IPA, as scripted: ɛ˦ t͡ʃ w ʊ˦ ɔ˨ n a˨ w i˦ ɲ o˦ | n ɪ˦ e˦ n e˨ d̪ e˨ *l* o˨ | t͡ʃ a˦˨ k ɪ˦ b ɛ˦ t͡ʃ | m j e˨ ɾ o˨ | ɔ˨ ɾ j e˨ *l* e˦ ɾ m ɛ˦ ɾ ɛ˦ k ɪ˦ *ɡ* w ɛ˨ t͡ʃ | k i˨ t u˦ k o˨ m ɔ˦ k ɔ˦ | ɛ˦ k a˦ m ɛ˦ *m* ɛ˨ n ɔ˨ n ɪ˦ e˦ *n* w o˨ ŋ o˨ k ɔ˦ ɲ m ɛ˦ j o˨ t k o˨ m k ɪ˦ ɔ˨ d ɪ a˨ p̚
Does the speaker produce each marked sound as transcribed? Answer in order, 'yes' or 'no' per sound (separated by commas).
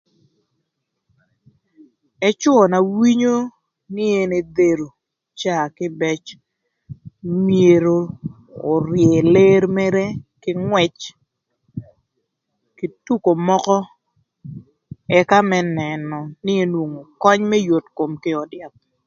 no, yes, no, no, yes